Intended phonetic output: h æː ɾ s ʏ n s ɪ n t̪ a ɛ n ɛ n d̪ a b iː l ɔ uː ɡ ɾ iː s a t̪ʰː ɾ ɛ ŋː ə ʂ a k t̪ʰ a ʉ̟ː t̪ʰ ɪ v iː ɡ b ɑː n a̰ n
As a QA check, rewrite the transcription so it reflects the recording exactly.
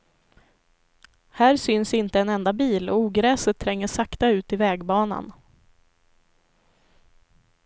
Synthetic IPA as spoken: h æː ɾ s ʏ n s ɪ n t̪ ə ɛ n ɛ n d̪ a b iː l ɔ uː ɡ ɾ ɛː s ə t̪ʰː ɾ ɛ ŋː ə ʂ a k t̪ a ʉ̟ː t̪ ɪ v ɛː ɡ b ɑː n a̰ n